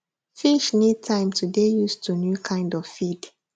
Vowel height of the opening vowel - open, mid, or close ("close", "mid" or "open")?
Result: close